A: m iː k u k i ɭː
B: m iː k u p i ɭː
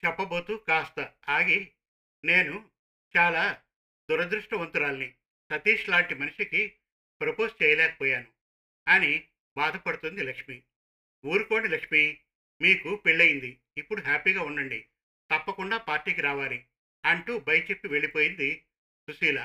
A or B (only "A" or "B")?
B